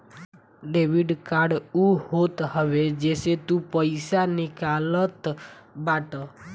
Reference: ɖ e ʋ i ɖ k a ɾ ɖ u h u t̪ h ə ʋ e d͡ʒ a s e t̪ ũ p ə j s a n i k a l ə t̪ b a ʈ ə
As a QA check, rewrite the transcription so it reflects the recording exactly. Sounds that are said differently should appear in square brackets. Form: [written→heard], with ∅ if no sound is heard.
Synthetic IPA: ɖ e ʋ i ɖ k a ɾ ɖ u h [u→o] t̪ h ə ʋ e d͡ʒ [a→e] s e t̪ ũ p ə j s a n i k a l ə t̪ b a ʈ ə